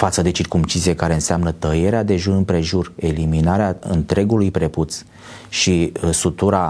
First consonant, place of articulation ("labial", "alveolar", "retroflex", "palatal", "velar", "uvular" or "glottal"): labial